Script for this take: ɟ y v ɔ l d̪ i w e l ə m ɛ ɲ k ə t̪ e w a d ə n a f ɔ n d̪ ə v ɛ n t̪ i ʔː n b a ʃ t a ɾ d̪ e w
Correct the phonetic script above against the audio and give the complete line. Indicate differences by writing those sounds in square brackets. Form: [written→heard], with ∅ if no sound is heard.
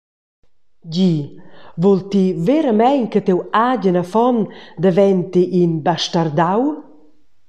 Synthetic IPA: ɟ [y→i] v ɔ l [d̪→t̪] i [w→v] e [l→ɾ] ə m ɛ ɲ k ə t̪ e w a [d→ɟ] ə n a f ɔ n d̪ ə v ɛ n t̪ i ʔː n b a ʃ t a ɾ d̪ [e→a] w